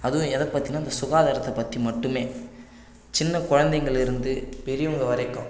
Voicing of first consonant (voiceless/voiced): voiced